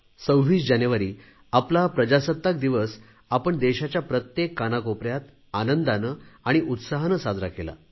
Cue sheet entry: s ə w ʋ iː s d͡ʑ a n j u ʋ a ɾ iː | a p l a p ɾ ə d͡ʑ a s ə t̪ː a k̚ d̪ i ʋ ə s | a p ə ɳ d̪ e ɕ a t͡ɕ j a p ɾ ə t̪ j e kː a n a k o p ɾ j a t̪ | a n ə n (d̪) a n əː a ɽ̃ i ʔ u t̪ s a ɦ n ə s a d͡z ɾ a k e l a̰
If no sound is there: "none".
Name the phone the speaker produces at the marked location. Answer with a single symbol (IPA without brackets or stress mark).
d̪